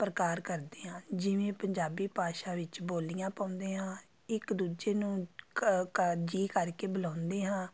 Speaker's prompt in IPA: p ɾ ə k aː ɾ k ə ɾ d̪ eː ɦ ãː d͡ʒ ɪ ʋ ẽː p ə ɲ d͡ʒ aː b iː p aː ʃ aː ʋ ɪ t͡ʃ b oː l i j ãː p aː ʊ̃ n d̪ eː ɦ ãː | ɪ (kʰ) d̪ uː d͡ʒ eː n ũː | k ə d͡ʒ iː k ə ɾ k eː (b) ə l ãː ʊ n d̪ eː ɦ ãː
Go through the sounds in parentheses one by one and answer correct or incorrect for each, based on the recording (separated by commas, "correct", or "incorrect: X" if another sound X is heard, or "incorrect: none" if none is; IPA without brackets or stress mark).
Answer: incorrect: k, correct